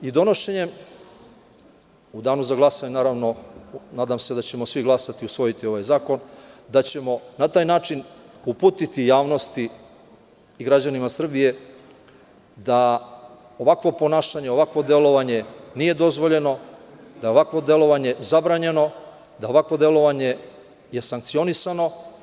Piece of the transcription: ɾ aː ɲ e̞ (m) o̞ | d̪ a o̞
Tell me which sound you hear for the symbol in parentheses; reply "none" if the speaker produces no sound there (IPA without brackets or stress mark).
n